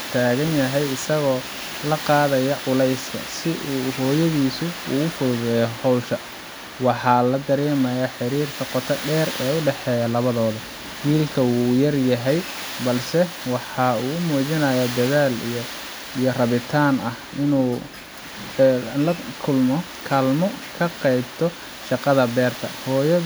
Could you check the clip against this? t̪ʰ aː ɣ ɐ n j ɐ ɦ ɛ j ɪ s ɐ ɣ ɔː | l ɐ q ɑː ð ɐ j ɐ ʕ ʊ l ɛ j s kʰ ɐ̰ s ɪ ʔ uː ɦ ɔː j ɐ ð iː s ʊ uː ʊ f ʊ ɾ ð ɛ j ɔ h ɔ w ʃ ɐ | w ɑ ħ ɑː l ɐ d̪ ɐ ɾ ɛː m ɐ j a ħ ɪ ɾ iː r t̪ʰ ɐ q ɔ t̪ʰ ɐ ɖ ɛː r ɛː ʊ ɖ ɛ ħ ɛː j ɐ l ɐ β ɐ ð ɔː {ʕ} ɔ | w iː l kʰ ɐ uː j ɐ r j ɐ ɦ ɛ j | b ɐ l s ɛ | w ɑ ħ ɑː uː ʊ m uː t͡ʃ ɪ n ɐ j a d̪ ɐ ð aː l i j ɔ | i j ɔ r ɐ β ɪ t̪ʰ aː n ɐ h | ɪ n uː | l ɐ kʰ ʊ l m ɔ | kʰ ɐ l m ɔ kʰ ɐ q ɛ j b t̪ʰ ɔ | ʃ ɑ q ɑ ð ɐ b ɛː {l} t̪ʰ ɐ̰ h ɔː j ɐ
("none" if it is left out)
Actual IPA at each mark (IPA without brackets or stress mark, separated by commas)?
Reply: ð, r